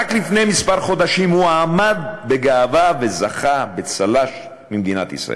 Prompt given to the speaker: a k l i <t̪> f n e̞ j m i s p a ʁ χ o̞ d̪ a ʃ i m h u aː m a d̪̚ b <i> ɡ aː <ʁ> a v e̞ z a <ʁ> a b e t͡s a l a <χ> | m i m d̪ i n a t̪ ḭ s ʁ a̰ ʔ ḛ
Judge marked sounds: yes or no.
no, no, no, no, no

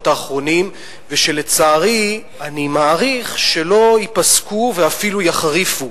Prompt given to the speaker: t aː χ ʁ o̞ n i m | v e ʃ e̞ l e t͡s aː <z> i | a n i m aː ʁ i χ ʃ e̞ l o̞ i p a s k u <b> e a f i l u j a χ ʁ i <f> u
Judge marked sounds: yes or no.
no, no, yes

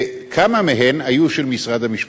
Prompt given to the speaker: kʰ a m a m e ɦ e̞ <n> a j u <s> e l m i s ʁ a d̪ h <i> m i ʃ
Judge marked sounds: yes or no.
yes, no, no

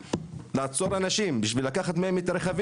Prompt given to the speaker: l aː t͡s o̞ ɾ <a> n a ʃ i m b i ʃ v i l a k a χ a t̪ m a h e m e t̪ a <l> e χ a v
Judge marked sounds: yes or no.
yes, no

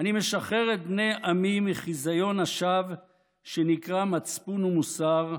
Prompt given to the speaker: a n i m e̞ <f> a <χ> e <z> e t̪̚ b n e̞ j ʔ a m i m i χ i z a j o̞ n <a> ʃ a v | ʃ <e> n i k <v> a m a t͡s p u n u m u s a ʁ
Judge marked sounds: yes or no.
no, yes, no, yes, yes, no

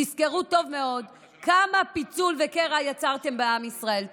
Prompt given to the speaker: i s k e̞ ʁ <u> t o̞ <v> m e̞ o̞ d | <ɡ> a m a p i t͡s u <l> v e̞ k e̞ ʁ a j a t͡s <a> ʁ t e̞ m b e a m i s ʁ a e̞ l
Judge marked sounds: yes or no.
yes, yes, no, yes, yes

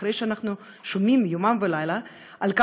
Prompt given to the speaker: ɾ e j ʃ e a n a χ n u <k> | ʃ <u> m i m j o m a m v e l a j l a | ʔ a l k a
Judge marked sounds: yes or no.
no, no

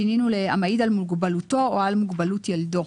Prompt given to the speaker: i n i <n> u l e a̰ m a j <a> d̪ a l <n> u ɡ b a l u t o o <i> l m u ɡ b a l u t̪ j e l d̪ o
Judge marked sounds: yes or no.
yes, no, no, no

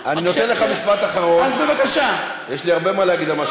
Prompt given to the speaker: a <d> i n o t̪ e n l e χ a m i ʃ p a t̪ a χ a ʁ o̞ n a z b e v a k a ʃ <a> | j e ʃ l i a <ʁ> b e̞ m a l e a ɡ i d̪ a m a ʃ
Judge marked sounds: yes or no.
no, yes, yes

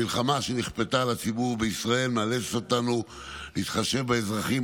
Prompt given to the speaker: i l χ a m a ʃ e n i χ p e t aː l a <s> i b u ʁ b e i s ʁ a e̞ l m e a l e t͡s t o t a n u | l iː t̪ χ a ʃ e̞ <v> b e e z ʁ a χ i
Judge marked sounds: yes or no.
no, yes

